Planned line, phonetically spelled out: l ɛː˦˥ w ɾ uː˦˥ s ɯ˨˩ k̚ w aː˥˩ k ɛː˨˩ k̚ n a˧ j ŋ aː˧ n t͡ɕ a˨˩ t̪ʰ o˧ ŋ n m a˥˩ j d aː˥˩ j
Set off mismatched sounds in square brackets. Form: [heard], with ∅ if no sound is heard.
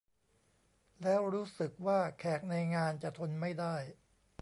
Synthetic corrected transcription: l ɛː˦˥ w ɾ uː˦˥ s ɯ˨˩ k̚ w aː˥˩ [kʰ] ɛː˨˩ k̚ n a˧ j ŋ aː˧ n t͡ɕ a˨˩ t̪ʰ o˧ [∅] n m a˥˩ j d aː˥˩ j